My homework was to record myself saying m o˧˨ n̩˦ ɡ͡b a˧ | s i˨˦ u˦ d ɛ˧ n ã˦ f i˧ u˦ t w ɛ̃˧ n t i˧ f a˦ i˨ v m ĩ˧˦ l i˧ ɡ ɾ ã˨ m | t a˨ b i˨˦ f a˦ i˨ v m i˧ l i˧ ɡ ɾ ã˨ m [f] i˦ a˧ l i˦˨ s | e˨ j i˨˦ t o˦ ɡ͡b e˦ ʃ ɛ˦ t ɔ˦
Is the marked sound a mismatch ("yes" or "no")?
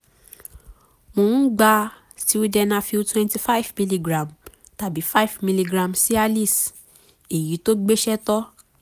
yes